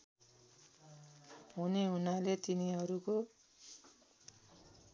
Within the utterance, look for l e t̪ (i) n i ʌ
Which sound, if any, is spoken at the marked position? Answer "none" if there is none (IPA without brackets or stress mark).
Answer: i